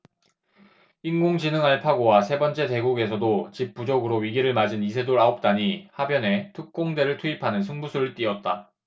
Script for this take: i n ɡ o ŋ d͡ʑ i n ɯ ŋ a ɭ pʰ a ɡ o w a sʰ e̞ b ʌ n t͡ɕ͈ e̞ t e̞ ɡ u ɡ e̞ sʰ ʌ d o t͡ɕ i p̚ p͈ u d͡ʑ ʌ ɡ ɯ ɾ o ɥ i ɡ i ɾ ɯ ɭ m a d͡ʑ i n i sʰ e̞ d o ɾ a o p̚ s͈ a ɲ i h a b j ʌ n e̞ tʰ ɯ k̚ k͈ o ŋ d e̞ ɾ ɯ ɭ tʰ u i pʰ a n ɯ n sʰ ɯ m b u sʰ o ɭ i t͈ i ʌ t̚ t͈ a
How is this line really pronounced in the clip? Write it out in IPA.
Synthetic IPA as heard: i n ɡ o ŋ d͡ʑ i n ɯ ŋ a ɭ pʰ a ɡ o w a sʰ e̞ b ʌ n t͡ɕ͈ e̞ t e̞ ɡ u ɡ e̞ sʰ ʌ d o t͡ɕ i p̚ p͈ u d͡ʑ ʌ ɡ ɯ ɾ o ɥ i ɡ i ɾ ɯ ɭ m a d͡ʑ i n i sʰ e̞ d o ɾ a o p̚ t͈ a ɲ i h a b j ʌ n e̞ tʰ ɯ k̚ k͈ o ŋ d e̞ ɾ ɯ ɭ tʰ u i pʰ a n ɯ n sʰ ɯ ŋ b u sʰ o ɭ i t͈ i ʌ t̚ t͈ a